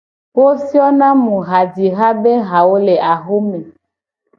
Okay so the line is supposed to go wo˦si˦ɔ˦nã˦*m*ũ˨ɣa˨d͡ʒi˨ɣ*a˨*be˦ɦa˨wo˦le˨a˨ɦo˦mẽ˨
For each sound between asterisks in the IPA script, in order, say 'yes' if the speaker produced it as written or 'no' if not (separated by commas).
yes, no